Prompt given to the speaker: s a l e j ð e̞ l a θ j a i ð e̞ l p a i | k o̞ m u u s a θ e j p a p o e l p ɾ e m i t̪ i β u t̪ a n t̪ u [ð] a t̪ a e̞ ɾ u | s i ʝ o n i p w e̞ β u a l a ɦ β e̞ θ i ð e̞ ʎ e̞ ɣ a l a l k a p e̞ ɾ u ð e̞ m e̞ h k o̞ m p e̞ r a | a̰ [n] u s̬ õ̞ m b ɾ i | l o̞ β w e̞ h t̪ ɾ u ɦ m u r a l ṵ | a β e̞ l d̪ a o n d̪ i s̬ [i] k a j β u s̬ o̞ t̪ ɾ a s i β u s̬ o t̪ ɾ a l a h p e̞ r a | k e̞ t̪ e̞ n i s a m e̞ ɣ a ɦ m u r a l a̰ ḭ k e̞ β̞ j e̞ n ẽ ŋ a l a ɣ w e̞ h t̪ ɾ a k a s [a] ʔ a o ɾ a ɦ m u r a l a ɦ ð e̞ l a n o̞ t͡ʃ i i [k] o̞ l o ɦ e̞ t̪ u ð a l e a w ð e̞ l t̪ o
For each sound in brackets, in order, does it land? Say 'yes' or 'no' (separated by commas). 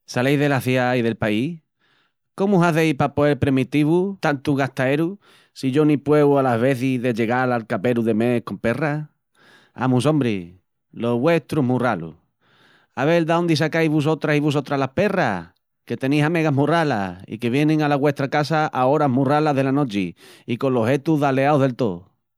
no, no, no, yes, yes